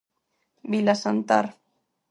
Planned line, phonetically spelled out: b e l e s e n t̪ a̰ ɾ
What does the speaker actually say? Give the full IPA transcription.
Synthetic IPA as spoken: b i l a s a n t̪ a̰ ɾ